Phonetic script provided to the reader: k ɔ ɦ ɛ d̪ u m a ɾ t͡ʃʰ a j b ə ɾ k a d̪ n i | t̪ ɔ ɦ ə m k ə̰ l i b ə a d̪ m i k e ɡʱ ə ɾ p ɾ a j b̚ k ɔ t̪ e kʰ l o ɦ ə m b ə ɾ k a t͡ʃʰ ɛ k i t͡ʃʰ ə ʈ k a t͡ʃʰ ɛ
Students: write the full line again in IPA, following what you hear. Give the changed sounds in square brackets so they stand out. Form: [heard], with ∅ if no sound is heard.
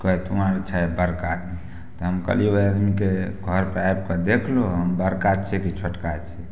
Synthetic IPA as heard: k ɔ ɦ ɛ [t̪] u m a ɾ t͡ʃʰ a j b ə ɾ k a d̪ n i | t̪ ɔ ɦ ə m k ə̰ l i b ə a d̪ m i k e ɡʱ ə ɾ p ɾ a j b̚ k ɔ [d̪] e kʰ l o ɦ ə m b ə ɾ k a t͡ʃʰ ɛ k i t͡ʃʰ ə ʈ k a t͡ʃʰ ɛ